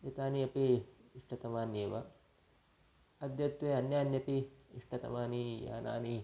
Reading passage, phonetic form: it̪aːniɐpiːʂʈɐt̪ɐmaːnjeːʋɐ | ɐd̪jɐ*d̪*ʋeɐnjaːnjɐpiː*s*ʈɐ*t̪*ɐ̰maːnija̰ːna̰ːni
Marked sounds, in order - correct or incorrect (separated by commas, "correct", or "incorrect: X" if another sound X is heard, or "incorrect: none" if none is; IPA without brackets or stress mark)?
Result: incorrect: t̪, incorrect: ʂ, correct